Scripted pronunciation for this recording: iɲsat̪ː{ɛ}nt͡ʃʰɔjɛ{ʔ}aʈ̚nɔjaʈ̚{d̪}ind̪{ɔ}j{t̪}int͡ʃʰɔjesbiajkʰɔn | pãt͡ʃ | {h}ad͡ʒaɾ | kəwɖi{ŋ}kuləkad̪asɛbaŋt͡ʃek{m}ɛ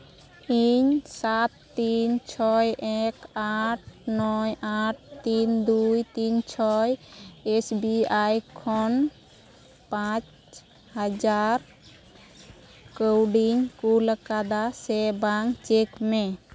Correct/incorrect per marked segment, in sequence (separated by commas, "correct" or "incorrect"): incorrect, incorrect, incorrect, incorrect, correct, correct, incorrect, correct